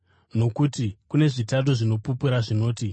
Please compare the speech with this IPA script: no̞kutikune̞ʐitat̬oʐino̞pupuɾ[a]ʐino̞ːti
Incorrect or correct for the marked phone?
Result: correct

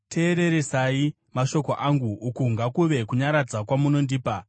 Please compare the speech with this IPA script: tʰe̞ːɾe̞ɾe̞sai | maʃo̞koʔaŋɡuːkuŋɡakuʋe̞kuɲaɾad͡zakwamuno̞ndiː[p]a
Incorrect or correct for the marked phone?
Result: correct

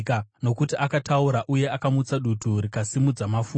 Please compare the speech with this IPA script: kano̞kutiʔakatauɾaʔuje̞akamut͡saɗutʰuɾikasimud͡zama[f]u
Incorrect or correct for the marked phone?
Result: correct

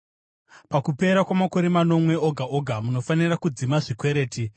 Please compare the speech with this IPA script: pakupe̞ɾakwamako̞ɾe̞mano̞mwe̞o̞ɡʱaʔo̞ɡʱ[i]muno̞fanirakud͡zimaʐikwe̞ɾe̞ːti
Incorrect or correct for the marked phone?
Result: incorrect: a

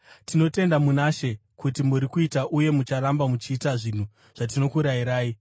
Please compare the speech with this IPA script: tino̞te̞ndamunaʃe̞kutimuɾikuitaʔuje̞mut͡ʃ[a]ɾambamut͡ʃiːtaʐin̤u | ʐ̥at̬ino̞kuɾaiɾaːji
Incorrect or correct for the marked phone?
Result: correct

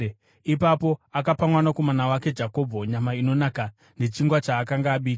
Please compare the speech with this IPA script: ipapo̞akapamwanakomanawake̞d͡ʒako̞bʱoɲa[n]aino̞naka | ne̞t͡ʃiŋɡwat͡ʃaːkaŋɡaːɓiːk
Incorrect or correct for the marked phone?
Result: incorrect: m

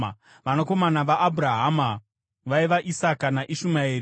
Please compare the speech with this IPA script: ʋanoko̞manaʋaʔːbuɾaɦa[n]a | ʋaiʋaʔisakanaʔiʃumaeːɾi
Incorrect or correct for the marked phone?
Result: incorrect: m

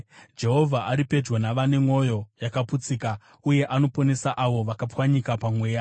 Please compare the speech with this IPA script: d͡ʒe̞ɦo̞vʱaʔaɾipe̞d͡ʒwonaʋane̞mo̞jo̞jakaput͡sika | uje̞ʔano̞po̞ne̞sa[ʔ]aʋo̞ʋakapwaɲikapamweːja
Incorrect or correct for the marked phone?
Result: correct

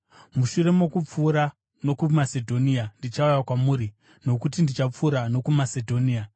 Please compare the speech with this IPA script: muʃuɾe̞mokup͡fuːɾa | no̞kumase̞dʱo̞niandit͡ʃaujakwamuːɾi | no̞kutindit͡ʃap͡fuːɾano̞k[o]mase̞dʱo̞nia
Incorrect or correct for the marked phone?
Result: incorrect: u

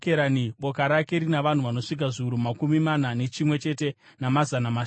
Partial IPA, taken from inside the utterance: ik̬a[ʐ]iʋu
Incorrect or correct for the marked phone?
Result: correct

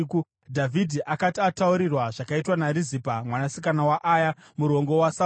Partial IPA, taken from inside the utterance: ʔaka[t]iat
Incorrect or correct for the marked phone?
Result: correct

